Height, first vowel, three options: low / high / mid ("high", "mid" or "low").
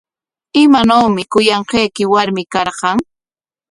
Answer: high